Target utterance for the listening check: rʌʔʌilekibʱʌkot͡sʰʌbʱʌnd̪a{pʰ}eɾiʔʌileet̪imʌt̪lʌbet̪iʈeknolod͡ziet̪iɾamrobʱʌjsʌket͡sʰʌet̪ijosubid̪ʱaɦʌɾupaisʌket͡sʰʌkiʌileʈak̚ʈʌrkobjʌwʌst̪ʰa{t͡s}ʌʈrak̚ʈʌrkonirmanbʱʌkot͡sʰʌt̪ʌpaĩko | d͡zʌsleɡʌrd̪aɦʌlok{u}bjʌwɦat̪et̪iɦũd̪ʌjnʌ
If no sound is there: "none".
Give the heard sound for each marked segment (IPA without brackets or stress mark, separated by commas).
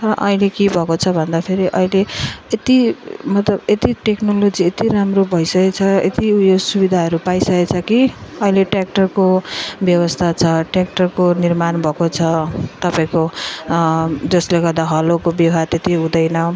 pʰ, t͡sʰ, o